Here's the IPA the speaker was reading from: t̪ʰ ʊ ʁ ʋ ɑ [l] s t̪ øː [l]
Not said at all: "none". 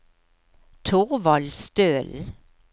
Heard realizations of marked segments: l, l

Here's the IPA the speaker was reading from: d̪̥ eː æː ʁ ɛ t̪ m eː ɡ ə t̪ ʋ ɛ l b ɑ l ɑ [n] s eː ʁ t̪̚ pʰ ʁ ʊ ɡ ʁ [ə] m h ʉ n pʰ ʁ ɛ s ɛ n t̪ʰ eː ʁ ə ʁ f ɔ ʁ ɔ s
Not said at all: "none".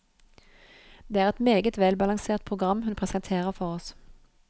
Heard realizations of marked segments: ŋ, ɑ

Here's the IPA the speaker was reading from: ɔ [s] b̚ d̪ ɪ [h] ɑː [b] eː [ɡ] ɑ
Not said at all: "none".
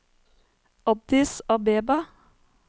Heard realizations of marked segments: none, s, b, b

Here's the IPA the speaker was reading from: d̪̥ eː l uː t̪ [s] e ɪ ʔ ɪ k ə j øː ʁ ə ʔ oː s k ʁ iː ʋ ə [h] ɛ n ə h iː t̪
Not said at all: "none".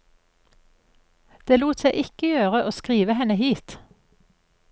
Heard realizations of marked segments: s, h

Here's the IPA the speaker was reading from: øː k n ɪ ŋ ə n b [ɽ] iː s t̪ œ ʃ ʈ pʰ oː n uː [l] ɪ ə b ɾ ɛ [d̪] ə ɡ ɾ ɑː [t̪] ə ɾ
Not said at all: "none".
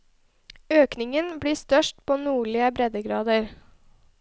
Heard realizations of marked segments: ɽ, ɭ, d̪, d̪

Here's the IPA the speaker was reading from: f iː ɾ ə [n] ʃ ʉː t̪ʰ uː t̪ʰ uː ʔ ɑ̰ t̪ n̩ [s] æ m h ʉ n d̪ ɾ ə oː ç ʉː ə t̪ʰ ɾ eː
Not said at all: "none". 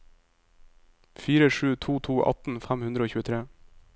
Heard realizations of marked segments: none, f

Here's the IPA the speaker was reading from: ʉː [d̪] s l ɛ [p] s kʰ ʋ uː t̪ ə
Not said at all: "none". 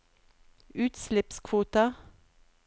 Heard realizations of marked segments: t̪, p

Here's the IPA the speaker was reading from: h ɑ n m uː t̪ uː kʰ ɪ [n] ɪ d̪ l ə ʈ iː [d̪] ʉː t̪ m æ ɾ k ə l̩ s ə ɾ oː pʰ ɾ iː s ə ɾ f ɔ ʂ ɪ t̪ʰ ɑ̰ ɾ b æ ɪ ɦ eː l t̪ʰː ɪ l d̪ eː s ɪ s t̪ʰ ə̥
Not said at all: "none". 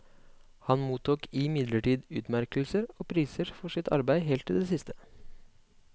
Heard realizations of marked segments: m, d̪

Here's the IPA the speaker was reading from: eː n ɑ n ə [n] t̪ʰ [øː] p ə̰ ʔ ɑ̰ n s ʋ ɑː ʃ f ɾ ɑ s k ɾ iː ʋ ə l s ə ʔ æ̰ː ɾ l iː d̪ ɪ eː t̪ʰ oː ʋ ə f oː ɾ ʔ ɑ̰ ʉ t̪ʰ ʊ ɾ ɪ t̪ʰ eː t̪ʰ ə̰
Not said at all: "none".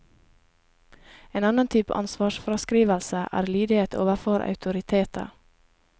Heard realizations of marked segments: n, yː

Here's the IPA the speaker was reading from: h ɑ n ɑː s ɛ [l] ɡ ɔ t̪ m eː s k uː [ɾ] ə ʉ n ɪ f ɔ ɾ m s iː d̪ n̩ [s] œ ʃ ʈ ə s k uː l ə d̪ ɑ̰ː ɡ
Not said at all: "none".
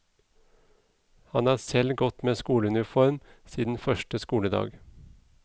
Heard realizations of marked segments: l, l, f

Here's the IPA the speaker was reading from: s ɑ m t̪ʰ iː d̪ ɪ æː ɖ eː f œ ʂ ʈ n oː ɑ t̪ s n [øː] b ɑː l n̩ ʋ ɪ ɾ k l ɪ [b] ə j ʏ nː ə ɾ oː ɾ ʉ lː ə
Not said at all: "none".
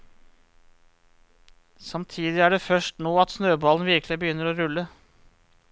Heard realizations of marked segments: øː, b

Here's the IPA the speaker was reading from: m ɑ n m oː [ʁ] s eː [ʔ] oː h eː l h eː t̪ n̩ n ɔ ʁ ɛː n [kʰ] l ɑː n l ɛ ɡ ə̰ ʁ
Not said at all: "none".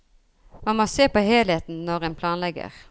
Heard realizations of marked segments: none, p, pʰ

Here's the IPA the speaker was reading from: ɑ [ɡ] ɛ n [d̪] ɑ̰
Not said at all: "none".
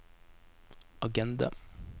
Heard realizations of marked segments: ɡ, d̪

